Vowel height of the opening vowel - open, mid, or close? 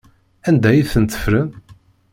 open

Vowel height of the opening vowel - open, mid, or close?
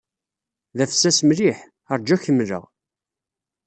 open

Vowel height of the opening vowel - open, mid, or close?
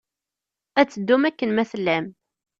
open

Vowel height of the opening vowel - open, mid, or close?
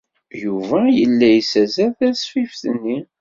close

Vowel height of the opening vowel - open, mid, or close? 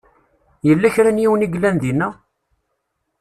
mid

